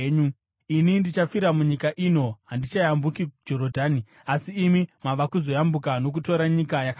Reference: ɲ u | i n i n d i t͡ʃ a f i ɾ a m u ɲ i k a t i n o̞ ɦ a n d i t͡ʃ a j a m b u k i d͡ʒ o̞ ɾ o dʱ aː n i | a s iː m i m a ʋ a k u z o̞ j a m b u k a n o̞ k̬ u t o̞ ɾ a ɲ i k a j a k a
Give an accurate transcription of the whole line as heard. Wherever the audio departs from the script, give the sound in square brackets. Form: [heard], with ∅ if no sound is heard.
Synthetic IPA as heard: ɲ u | i n i n d i t͡ʃ a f i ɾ a m u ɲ i k a [ʔ] i n o̞ ɦ a n d i t͡ʃ a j a m b u k i d͡ʒ o̞ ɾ o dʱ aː n i | a s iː m i m a ʋ a k u z o̞ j a m b u k a n o̞ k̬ u t o̞ ɾ a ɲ i k a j a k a